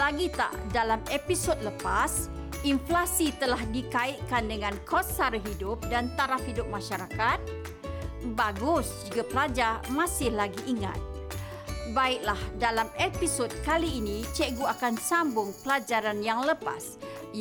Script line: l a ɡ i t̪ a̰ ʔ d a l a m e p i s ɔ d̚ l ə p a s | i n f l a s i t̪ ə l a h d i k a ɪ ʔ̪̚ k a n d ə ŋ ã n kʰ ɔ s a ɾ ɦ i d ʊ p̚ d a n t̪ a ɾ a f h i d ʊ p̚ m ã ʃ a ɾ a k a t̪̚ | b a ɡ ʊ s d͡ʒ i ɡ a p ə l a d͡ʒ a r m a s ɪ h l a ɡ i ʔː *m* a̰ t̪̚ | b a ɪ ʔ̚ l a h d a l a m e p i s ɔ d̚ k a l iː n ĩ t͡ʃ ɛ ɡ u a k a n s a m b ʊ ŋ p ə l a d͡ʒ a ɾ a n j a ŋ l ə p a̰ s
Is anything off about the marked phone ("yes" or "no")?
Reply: yes